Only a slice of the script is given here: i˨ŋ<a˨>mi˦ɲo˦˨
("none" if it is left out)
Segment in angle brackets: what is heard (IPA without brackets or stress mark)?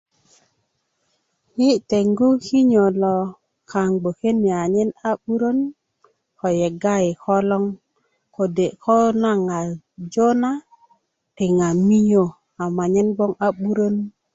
a˨